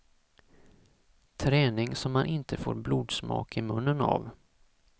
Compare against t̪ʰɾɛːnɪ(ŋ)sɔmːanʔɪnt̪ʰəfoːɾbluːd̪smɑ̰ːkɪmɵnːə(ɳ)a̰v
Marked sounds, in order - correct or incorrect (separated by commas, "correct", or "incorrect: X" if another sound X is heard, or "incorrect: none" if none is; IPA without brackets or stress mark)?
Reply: correct, incorrect: n